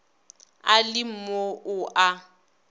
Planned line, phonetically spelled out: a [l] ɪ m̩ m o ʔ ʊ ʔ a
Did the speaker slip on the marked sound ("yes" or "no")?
no